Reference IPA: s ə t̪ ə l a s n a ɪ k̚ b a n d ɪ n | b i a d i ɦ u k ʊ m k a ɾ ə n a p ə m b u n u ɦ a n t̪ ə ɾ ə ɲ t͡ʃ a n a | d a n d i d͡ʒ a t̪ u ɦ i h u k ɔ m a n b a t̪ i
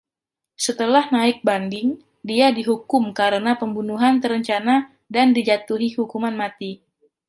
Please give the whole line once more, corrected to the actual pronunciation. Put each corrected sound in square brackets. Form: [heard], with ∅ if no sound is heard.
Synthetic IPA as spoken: s ə t̪ ə l a [h] n a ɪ k̚ b a n d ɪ [ŋ] | [d] i a d i ɦ u k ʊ m k a ɾ ə n a p ə m b u n u ɦ a n t̪ ə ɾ ə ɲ t͡ʃ a n a | d a n d i d͡ʒ a t̪ u ɦ i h u k [u] m a n [m] a t̪ i